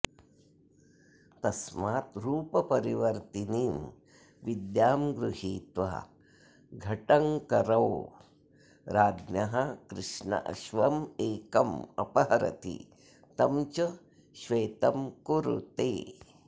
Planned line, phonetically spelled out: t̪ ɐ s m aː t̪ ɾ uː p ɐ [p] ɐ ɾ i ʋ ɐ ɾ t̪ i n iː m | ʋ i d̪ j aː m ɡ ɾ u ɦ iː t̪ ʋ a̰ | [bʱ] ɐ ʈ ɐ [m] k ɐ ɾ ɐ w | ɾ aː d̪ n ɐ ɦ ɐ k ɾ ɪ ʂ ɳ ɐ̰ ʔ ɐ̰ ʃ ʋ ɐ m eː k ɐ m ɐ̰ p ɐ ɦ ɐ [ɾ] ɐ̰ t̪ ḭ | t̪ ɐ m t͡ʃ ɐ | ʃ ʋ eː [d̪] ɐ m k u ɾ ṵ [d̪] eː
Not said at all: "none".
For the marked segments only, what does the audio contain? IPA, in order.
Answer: p, ɡʱ, ŋ, ɾ, t̪, t̪

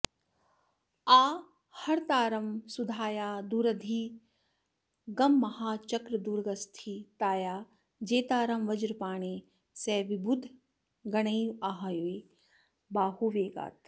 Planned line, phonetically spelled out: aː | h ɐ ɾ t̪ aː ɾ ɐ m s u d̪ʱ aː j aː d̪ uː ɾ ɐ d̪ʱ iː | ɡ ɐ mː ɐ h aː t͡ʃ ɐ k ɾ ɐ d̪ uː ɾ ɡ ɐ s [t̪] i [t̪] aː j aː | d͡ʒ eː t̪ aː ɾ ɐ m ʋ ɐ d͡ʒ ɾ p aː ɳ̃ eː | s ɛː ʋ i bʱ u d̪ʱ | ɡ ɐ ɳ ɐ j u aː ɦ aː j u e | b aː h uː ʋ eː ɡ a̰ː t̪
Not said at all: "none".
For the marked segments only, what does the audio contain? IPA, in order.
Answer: t̪ʰ, t̪

